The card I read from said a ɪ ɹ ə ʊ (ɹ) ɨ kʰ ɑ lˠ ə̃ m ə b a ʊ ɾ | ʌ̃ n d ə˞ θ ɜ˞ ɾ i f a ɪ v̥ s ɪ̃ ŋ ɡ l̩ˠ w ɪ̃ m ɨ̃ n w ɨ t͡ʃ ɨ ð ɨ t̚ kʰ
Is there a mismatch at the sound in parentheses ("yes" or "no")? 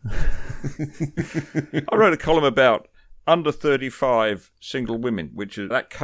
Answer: yes